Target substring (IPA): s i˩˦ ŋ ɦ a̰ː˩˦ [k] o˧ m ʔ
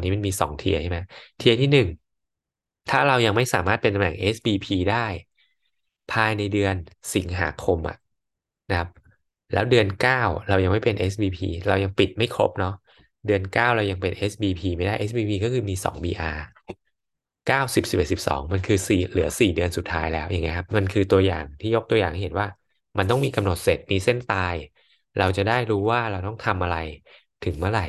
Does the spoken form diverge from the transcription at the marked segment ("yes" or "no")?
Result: yes